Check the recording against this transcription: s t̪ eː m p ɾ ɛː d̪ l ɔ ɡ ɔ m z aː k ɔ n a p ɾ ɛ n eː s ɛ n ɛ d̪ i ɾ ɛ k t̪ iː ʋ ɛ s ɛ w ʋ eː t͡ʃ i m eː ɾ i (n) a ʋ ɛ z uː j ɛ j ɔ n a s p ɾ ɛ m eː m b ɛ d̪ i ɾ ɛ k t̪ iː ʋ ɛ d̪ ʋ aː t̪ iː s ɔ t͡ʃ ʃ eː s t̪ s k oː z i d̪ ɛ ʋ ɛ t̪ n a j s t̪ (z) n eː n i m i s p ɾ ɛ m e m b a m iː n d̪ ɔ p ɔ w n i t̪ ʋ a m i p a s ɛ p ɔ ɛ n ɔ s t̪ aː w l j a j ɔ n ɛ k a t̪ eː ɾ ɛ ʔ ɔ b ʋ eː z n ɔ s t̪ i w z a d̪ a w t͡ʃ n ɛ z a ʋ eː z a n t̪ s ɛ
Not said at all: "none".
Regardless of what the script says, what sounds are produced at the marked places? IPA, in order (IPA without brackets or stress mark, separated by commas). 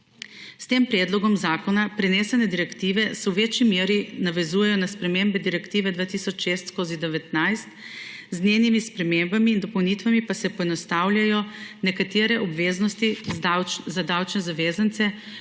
n, z